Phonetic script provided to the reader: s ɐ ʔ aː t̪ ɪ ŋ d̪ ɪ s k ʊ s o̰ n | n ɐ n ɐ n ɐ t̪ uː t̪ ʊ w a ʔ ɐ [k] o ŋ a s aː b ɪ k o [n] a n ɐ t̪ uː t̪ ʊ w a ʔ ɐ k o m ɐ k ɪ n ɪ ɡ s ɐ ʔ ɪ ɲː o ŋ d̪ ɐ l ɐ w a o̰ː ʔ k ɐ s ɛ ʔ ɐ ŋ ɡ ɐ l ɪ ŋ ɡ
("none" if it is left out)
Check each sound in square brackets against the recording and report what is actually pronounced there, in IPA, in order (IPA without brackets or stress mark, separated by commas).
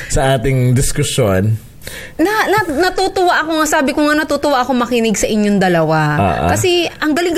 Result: k, ŋ